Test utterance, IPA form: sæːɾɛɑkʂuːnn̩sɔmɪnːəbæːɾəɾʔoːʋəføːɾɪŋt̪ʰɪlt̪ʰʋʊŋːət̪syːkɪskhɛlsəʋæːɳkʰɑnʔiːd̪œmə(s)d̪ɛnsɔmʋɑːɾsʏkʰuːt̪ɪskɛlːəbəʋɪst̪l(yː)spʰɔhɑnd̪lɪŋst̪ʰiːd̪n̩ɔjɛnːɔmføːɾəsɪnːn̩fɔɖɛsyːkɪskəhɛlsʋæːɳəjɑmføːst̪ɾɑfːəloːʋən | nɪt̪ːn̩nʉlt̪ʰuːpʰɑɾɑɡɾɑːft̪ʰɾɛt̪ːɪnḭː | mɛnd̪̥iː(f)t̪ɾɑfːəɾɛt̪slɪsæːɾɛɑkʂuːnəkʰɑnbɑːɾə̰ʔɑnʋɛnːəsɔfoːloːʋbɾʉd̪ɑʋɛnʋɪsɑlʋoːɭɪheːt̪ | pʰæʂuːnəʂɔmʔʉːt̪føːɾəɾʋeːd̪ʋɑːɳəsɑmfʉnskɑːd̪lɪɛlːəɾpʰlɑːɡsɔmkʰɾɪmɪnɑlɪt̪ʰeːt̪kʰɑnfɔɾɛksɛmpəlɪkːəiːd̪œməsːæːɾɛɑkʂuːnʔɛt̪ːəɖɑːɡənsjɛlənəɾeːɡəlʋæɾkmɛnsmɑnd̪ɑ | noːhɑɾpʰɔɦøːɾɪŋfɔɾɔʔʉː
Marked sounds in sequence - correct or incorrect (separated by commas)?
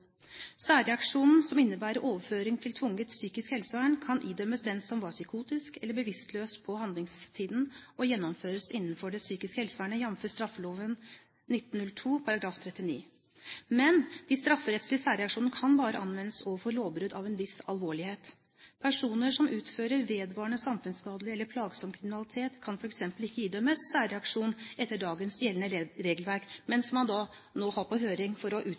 correct, incorrect, incorrect